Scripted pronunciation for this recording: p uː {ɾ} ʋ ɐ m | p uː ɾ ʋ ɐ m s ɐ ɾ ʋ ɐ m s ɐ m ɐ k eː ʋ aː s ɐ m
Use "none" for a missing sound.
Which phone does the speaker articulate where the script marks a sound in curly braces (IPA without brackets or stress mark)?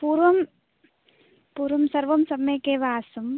ɾ